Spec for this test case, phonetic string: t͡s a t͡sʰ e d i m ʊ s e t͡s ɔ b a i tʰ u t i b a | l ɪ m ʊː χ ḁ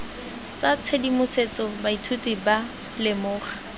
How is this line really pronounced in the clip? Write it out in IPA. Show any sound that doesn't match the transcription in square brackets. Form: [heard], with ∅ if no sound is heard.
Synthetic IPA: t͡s a t͡sʰ e d i m ʊ s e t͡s ɔ b a i tʰ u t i b a | l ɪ m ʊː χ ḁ

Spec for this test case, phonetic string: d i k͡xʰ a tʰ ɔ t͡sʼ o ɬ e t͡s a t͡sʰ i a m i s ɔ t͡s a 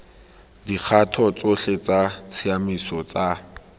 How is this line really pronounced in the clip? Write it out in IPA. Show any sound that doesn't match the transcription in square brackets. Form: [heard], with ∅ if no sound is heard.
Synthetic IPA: d i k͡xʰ a tʰ ɔ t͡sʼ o ɬ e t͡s a t͡sʰ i a m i s ɔ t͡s a

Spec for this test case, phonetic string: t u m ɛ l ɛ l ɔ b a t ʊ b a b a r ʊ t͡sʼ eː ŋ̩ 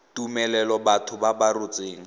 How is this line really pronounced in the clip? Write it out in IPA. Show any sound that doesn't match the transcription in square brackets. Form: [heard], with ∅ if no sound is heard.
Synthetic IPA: t u m ɛ l ɛ l ɔ b a [tʰ] ʊ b a b a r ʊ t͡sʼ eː ŋ̩

